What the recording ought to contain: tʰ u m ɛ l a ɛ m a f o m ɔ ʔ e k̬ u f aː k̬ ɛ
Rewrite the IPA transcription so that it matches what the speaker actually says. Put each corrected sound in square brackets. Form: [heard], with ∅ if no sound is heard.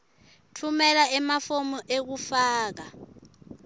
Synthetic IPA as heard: tʰ u m ɛ l a ɛ m a f o m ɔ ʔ e k̬ u f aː k̬ [a]